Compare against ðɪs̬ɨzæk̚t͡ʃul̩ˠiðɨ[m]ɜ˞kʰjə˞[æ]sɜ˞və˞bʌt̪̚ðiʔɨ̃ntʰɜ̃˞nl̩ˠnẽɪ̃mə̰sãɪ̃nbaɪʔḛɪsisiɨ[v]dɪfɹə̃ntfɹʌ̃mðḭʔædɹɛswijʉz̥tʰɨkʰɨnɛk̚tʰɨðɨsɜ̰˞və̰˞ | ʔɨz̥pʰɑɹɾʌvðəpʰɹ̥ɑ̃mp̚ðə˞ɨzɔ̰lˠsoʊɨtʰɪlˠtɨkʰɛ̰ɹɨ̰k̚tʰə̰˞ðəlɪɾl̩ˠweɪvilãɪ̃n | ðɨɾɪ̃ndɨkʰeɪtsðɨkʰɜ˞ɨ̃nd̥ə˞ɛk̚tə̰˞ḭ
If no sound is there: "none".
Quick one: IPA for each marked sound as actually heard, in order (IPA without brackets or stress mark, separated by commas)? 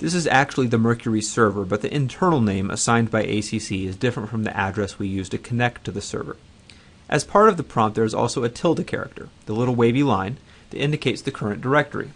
m, i, z